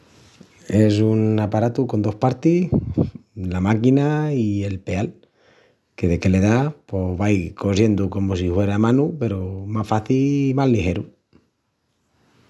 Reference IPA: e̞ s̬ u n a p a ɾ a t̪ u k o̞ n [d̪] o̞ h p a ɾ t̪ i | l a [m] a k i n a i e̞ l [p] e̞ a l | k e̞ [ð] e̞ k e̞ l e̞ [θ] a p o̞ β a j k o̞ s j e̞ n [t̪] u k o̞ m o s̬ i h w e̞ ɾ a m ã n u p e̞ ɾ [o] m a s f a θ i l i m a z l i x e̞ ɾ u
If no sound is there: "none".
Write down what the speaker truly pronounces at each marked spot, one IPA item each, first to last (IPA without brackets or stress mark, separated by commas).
d̪, m, p, ð, ð, d̪, o